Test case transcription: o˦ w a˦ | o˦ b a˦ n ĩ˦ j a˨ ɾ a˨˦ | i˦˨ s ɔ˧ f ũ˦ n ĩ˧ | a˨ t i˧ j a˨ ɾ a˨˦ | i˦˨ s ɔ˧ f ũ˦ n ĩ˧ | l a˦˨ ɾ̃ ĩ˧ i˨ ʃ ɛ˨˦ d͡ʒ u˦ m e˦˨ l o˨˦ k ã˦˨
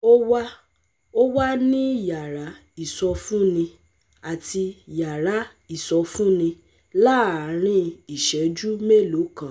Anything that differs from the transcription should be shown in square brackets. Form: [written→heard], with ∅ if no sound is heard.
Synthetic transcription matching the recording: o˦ w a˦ | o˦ [b→w] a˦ n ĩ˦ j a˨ ɾ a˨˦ | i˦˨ s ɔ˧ f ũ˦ n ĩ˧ | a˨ t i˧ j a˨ ɾ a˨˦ | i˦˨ s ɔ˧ f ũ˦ n ĩ˧ | l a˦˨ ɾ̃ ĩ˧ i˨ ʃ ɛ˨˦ d͡ʒ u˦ m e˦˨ l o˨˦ k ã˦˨